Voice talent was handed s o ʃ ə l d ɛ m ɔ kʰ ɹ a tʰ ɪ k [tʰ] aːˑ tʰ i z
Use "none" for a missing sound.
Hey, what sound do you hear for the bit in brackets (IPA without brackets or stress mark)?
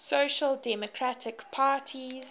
pʰ